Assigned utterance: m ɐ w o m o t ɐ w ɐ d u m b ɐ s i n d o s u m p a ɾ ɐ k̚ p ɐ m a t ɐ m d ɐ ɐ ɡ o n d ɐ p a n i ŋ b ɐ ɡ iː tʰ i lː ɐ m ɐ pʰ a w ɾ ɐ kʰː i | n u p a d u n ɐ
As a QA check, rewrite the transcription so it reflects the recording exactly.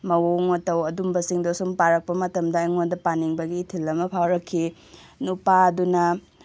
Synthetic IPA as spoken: m ɐ w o ŋ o t ɐ w ɐ d u m b ɐ s i ŋ d o s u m p a ɾ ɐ k̚ p ɐ m ɐ t ɐ m d ɐ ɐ ŋ o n d ɐ p a n i ŋ b ɐ ɡ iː tʰ i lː ɐ m ɐ pʰ a w ɾ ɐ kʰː i | n u p a d u n ɐ